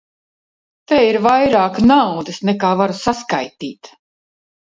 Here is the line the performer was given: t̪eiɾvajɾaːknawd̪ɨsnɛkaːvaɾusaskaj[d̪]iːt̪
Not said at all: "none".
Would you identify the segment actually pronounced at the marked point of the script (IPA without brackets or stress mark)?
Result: t̪